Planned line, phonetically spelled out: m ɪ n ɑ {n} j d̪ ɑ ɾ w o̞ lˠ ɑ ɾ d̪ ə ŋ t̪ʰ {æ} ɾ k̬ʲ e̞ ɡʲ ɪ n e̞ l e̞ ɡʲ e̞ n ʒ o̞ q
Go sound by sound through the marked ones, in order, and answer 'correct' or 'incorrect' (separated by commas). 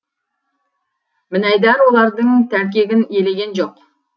incorrect, correct